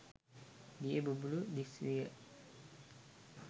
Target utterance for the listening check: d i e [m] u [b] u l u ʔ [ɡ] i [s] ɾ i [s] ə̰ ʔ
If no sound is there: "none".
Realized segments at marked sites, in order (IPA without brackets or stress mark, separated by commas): b, b, d, s, none